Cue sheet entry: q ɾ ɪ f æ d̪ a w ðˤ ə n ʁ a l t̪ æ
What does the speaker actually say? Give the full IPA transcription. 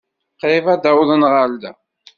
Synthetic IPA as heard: q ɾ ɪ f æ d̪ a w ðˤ ə n ʁ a l d̪ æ